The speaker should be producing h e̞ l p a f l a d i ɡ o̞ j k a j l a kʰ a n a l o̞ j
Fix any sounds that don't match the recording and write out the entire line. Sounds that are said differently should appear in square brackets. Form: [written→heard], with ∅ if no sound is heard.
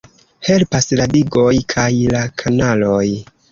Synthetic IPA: h e̞ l p a [f→s] l a d i ɡ o̞ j [k→kʰ] a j l a kʰ a n a l o̞ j